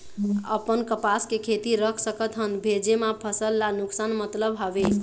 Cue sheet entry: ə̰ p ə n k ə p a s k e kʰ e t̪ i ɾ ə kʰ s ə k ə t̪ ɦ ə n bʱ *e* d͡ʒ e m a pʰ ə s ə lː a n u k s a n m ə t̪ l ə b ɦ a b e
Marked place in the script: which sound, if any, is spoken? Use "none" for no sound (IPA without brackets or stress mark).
e